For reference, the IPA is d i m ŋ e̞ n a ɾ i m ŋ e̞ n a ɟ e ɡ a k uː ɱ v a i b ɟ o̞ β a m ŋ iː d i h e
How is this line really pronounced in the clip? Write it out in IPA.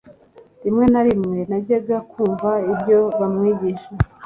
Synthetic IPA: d i m ŋ e̞ n a ɾ i m ŋ e̞ n a ɟ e ɡ a k uː ɱ v a i b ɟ o̞ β a m ŋ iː ɟ i ʃ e